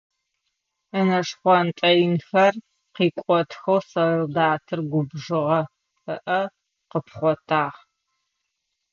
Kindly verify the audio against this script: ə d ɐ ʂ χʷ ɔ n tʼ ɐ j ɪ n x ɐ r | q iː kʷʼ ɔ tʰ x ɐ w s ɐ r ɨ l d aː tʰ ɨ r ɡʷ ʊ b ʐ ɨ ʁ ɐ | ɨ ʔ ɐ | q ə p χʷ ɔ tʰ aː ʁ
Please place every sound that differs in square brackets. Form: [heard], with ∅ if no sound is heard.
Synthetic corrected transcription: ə [n] ɐ ʂ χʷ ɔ n tʼ ɐ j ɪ n x ɐ r | q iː kʷʼ ɔ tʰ x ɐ w s ɐ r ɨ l d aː tʰ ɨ r ɡʷ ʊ b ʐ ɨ ʁ ɐ | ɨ ʔ ɐ | q ə p χʷ ɔ tʰ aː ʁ